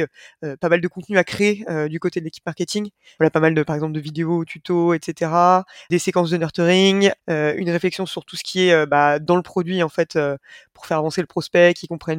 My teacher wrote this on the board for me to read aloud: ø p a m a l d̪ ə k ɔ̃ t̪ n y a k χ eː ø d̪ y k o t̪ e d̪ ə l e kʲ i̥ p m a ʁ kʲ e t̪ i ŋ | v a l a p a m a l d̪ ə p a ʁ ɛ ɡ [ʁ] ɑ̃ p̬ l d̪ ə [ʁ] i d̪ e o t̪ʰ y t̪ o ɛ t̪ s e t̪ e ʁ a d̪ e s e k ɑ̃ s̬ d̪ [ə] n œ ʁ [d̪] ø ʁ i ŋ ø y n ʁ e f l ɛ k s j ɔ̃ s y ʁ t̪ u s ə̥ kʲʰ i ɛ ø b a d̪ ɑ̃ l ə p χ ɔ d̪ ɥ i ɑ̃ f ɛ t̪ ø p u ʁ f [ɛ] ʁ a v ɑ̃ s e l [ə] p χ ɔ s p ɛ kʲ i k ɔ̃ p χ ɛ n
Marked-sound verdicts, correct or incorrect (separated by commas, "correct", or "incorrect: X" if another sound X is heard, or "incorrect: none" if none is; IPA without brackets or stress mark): incorrect: z, incorrect: v, correct, incorrect: t̪, correct, correct